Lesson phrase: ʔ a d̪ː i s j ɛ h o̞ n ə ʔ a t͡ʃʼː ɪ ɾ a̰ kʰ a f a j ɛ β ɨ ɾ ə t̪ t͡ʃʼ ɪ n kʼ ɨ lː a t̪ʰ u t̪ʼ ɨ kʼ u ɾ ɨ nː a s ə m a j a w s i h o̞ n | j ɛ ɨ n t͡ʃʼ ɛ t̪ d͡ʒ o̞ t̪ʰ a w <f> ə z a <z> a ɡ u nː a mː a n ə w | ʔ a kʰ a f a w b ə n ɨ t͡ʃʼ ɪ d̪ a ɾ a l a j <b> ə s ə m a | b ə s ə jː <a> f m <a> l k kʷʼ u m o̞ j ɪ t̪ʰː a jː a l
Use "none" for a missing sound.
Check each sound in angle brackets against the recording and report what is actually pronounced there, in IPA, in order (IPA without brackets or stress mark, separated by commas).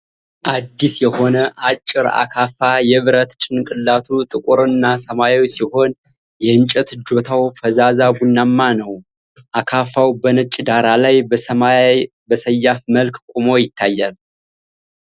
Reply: f, z, b, a, ə